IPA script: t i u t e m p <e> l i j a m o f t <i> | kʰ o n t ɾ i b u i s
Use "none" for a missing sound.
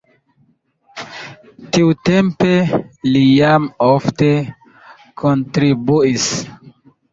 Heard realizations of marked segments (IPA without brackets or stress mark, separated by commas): e, e